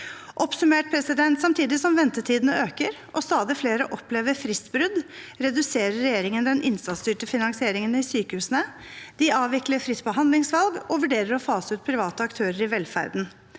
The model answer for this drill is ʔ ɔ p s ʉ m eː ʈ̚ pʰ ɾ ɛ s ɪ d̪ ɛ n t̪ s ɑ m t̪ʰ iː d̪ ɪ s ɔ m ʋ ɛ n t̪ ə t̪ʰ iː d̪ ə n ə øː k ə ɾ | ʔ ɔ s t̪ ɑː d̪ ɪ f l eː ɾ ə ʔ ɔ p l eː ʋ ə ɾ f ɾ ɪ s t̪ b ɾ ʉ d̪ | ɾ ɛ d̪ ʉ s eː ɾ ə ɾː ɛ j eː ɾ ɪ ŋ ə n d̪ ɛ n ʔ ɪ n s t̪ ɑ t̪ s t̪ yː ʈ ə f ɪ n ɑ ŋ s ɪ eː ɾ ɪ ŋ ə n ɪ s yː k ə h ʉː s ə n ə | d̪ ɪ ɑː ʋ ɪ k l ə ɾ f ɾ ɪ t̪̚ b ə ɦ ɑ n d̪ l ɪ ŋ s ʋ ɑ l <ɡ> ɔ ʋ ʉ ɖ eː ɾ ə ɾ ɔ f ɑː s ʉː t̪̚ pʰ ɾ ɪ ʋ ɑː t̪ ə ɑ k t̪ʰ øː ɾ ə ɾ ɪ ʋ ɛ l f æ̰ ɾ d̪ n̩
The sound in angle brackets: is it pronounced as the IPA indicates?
yes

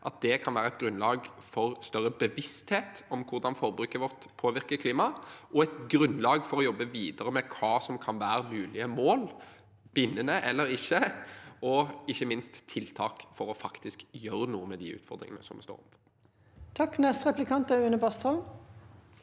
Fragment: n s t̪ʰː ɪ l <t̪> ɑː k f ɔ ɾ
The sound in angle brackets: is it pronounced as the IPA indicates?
no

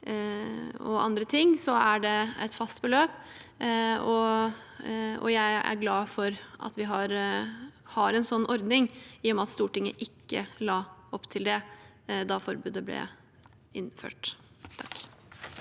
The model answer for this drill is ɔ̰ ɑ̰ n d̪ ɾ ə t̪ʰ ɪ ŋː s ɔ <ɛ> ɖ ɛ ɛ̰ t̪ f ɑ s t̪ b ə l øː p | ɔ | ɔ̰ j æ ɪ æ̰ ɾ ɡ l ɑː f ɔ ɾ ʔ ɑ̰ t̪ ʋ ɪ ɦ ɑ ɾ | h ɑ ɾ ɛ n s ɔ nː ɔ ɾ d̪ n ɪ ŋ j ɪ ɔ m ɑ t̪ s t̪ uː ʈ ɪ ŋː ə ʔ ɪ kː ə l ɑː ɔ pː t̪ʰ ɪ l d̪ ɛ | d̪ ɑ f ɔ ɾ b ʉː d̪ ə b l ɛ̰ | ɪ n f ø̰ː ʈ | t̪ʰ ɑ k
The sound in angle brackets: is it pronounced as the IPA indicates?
no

